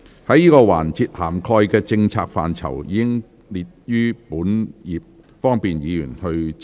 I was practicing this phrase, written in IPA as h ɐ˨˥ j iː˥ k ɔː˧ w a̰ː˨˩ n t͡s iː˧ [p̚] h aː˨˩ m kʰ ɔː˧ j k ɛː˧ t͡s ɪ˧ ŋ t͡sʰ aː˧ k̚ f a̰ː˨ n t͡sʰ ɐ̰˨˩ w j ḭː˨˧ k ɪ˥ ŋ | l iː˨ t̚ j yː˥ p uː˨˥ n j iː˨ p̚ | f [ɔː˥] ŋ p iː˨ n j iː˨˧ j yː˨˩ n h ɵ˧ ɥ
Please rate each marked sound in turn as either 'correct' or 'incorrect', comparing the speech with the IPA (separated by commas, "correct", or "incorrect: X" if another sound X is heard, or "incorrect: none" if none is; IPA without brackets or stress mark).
incorrect: t̚, correct